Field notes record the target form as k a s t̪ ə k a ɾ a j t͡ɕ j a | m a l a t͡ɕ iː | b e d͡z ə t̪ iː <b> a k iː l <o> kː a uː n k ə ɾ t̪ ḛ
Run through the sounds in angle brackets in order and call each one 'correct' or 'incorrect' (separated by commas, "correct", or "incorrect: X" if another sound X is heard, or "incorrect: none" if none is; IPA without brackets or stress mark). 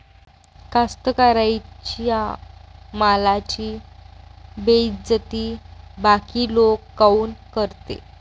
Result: correct, correct